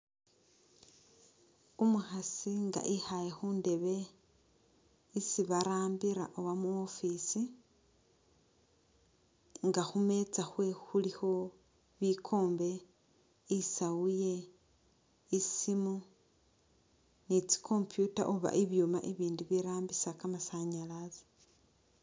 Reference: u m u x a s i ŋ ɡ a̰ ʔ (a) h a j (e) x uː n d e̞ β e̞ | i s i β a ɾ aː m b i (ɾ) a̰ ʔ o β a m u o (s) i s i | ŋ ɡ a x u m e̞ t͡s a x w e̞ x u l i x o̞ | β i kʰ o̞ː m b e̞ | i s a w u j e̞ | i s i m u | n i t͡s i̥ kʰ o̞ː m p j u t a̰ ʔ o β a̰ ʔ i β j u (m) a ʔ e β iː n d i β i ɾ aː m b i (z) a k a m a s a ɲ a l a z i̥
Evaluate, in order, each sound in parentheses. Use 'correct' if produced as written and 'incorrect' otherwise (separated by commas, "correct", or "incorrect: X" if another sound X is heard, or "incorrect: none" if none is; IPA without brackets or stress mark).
incorrect: i, correct, correct, incorrect: f, correct, incorrect: s